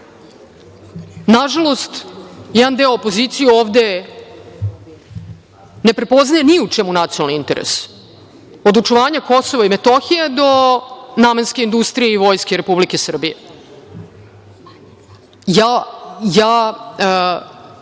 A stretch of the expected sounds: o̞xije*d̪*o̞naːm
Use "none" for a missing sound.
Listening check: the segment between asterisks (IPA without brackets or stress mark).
d̪